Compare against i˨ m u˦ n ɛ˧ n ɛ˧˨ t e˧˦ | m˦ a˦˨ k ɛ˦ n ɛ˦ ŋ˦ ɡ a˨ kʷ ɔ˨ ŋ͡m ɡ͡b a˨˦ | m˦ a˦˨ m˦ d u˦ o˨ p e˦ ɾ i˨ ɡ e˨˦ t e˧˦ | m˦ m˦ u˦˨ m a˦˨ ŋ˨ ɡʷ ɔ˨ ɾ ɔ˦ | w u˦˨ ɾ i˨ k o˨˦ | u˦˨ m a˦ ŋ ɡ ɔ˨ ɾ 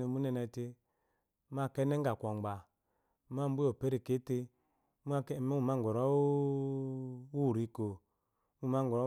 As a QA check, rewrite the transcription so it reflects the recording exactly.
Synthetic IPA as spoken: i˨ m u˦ n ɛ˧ n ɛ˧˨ t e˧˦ | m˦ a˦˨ k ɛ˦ n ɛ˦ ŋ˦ ɡ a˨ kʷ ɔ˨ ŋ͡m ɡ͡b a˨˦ | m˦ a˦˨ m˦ b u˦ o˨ p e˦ ɾ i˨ k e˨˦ t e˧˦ | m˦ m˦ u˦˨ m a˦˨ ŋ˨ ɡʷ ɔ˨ ɾ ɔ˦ | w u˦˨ ɾ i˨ k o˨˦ | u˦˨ m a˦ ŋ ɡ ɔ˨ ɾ